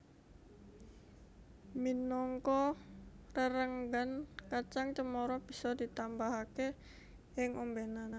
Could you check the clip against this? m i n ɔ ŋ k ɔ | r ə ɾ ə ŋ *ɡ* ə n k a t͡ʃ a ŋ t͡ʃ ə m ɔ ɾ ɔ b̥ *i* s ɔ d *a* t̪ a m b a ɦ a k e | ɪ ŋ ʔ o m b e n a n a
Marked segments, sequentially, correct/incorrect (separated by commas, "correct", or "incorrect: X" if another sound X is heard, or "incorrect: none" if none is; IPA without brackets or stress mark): correct, correct, incorrect: i